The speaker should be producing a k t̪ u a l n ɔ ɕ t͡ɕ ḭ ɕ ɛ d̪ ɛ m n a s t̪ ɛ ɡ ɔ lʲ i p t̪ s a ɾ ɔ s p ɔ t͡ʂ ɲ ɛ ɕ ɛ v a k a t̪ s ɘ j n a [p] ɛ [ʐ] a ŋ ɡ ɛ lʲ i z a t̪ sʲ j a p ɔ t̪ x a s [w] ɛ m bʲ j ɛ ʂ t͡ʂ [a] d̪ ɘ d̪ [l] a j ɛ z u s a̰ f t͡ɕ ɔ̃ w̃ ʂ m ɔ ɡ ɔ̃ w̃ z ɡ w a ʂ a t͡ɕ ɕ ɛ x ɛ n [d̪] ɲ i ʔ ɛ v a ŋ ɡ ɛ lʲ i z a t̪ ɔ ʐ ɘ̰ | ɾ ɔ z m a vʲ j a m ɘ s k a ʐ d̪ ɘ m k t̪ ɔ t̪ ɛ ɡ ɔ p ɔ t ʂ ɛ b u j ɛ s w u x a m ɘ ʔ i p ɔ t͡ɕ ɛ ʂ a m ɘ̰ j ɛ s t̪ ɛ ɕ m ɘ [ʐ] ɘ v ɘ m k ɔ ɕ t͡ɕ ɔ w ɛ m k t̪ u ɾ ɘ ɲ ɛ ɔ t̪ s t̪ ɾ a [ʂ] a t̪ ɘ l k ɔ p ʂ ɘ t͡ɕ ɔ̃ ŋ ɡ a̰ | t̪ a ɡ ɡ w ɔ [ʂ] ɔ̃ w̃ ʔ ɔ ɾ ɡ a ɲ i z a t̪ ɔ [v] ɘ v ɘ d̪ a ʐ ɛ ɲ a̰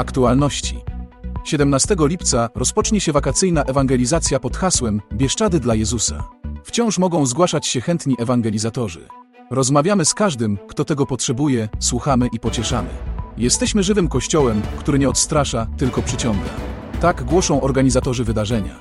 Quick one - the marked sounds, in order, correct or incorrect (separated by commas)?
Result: incorrect, incorrect, correct, correct, correct, incorrect, correct, correct, correct, incorrect